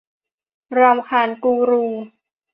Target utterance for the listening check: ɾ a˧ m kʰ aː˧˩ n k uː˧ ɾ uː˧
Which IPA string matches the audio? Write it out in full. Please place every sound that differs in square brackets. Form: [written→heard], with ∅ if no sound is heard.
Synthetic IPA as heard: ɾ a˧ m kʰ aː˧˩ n k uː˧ ɾ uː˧